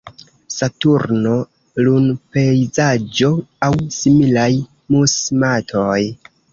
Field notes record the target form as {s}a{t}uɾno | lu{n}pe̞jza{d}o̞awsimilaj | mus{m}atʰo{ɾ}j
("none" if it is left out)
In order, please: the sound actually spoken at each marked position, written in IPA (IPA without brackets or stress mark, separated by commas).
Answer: s, t, n, d͡ʒ, m, none